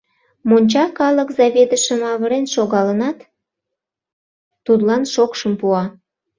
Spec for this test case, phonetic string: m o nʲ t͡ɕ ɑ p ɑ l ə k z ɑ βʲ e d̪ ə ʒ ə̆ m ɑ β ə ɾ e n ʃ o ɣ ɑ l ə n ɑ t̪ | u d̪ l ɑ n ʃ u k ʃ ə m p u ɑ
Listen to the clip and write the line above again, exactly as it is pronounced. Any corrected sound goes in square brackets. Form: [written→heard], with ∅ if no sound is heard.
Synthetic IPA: m o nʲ t͡ɕ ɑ [p→k] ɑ l ə k z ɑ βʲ e d̪ ə [ʒ→ʃ] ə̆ m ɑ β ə ɾ e n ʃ o ɣ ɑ l ə n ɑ t̪ | u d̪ l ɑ n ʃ [u→o] k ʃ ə m p u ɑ